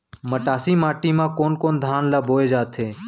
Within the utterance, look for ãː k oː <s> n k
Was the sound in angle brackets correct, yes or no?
no